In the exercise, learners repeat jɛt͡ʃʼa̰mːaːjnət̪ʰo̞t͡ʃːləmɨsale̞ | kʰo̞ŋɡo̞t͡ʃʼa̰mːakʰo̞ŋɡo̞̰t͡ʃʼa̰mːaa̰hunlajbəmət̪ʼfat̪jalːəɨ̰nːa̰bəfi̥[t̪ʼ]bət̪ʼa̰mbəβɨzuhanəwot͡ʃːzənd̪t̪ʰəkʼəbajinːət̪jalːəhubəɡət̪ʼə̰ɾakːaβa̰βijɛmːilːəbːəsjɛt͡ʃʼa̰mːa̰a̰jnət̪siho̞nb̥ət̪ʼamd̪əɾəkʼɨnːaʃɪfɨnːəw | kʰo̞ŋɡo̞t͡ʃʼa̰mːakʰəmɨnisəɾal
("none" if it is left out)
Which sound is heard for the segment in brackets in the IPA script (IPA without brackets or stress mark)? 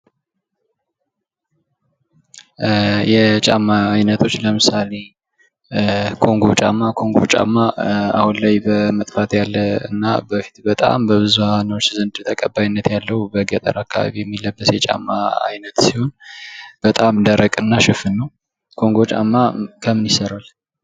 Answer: t̪